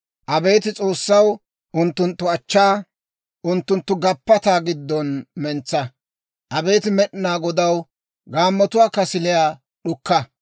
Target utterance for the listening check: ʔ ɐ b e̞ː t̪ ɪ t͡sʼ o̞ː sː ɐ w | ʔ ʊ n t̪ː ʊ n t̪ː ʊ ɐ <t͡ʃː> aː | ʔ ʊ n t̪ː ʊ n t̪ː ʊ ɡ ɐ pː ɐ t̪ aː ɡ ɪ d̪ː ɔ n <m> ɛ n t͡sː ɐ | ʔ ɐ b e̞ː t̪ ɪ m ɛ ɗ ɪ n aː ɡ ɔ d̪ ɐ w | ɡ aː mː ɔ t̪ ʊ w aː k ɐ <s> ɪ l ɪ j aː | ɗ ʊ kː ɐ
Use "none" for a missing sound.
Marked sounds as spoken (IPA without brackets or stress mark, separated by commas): t͡ʃː, m, s